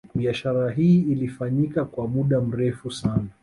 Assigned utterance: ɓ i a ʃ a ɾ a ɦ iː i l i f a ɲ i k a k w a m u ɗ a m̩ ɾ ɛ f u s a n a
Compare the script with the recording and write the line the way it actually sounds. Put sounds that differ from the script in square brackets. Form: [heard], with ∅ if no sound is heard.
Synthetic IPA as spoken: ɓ i a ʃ a ɾ a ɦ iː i l i f a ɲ i k a k w a m u ɗ a m̩ ɾ ɛ f u s a n a